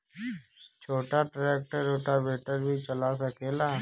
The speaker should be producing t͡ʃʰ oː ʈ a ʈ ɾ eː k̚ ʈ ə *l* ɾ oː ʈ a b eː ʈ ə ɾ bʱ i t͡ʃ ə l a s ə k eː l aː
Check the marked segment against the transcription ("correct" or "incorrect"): incorrect